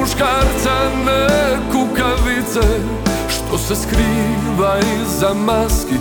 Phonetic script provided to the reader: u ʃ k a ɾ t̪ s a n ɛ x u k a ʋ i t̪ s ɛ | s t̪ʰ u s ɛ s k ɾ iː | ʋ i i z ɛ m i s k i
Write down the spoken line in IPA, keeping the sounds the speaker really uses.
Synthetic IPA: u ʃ k a ɾ t̪ s a n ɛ k u k a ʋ i t̪ s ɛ | ʃ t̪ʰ o s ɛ s k ɾ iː | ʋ a i z a m a s k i